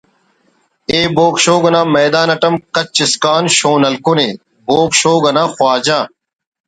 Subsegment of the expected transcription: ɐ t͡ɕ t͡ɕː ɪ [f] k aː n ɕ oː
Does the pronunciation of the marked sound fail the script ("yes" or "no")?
yes